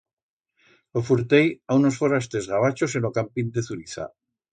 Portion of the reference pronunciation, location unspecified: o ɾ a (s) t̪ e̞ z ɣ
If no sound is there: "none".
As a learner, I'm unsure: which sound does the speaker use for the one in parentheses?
s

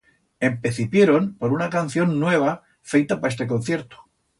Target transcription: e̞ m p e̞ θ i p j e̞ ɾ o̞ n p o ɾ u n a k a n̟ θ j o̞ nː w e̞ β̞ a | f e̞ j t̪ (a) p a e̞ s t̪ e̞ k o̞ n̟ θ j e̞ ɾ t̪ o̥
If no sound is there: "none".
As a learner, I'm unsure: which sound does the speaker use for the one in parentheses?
a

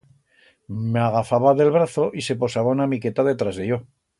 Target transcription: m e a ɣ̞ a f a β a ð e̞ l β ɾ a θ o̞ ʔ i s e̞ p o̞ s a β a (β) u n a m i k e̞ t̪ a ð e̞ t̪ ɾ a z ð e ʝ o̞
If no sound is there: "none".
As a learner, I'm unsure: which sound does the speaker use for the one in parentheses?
none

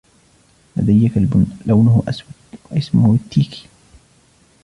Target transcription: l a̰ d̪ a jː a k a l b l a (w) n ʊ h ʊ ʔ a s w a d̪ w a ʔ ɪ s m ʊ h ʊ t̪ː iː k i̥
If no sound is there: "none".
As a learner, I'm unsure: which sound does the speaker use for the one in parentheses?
w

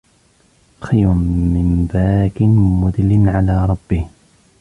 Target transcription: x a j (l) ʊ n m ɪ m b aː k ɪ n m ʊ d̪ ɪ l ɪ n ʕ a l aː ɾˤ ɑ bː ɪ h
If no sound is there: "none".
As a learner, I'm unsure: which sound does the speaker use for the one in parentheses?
ɾ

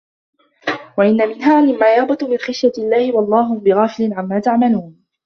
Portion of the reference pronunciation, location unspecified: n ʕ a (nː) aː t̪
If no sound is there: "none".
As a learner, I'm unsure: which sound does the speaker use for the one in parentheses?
mː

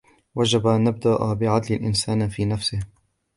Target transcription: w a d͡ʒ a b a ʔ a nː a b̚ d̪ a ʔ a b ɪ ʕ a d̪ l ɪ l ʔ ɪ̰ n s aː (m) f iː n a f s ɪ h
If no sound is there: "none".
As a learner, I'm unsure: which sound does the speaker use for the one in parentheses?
n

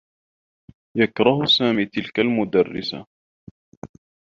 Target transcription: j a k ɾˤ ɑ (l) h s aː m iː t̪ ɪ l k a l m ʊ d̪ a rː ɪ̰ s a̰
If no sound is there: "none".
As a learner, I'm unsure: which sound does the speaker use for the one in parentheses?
none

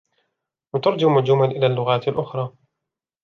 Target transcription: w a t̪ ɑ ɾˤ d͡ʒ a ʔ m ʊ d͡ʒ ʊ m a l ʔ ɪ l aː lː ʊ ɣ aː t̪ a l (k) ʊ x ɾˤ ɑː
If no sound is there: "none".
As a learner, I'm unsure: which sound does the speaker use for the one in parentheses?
ʔ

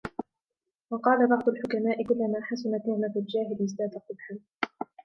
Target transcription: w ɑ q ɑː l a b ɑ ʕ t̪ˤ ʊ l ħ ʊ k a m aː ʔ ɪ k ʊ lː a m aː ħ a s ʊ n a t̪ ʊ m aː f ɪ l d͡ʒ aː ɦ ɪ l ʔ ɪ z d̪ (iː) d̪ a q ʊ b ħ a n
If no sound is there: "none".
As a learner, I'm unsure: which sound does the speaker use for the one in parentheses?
aː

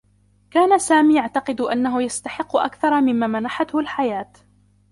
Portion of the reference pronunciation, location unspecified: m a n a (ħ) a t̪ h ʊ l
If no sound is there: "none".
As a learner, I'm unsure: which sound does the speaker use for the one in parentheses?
ħ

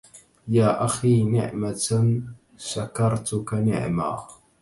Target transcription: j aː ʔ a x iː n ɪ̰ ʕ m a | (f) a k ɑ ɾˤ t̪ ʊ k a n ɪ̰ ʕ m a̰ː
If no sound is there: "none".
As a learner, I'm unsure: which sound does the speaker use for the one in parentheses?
ʃ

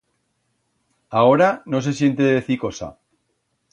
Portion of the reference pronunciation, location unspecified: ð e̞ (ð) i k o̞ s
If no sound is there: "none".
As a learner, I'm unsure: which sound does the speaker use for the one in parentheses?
θ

